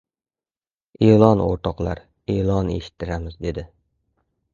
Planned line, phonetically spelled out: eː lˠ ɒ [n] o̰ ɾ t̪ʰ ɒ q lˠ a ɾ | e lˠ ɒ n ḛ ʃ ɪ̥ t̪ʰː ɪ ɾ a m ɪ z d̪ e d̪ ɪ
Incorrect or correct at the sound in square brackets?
correct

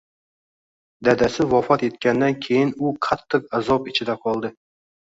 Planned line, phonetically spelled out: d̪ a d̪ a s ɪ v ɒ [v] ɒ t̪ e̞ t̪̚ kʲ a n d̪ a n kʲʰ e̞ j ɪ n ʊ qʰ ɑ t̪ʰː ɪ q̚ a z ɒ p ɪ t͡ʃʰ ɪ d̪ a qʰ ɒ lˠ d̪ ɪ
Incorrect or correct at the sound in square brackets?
incorrect: f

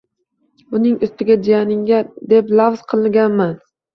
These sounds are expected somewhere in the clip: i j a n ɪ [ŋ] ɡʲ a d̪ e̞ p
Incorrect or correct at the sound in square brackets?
correct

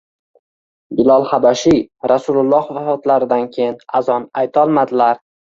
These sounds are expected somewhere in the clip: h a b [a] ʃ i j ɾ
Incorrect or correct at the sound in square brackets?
correct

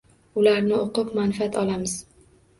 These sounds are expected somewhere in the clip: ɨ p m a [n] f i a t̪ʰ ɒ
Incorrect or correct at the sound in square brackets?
correct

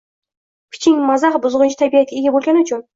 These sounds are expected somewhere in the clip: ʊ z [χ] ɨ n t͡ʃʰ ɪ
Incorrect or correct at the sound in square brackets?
incorrect: ʁ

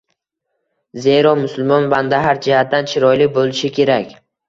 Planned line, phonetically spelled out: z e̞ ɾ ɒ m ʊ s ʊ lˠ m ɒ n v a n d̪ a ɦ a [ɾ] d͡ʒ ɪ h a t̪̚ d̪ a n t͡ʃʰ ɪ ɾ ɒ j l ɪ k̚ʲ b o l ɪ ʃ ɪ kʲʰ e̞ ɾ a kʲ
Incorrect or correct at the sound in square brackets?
correct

